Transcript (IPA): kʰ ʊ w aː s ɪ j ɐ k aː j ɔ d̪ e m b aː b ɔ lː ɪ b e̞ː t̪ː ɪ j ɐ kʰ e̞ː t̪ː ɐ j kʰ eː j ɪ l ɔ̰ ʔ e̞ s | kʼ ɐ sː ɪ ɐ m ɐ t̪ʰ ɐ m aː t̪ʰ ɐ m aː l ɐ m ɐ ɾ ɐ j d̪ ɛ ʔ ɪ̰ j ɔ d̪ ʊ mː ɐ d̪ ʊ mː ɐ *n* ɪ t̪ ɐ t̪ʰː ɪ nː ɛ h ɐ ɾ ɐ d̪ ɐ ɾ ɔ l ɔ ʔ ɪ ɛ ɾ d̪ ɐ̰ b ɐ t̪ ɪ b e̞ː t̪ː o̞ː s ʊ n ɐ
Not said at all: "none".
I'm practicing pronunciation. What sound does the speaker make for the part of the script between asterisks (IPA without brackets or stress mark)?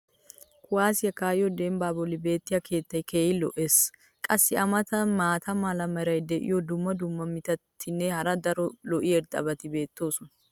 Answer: m